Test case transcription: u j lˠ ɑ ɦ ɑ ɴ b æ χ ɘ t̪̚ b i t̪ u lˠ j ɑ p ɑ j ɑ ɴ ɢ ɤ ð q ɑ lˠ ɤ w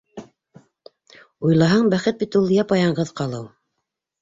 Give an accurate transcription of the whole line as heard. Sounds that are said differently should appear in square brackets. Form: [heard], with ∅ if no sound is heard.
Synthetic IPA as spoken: u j lˠ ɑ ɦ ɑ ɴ b æ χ ɘ t̪̚ b i t̪ u lˠ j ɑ p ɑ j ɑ ɴ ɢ ɤ ð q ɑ lˠ ɤ w